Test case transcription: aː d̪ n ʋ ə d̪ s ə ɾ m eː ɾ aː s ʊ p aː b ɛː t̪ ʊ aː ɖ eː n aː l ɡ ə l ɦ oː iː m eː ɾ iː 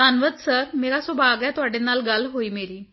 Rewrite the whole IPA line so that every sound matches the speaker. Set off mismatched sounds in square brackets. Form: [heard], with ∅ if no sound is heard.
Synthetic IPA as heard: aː [∅] n ʋ ə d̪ s ə ɾ m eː ɾ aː s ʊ [b] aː [ɡ] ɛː t̪ ʊ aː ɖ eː n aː l ɡ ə l ɦ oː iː m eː ɾ iː